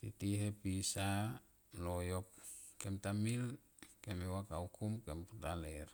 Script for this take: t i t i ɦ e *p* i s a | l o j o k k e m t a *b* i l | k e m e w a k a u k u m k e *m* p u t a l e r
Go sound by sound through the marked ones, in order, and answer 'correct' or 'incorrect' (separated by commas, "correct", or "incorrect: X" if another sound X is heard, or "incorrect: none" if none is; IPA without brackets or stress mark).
correct, incorrect: m, correct